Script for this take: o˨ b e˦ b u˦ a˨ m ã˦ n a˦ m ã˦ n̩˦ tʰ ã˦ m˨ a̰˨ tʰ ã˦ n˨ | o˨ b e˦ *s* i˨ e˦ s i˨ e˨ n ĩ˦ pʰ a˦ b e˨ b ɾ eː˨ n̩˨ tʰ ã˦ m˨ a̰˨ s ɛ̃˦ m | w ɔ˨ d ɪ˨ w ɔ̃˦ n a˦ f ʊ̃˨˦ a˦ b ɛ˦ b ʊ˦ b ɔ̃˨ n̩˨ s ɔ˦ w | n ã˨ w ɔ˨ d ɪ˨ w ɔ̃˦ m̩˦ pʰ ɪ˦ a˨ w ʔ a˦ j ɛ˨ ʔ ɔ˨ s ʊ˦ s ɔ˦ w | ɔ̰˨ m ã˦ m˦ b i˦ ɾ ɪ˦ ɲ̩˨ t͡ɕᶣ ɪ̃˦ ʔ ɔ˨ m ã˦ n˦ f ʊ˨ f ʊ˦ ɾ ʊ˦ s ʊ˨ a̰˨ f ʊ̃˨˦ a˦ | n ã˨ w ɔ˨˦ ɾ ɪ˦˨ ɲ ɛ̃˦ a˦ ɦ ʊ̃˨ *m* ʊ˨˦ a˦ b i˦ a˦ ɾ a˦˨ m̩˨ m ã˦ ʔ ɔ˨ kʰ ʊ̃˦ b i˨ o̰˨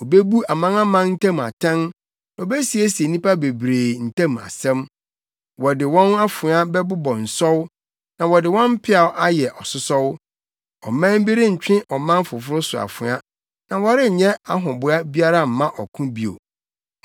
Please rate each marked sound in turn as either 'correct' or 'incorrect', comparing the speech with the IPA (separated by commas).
correct, incorrect